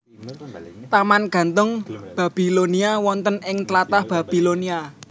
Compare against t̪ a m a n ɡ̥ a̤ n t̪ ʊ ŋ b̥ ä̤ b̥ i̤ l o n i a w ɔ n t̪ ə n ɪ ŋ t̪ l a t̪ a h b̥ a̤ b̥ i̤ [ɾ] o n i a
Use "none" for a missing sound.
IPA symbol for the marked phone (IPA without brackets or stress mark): l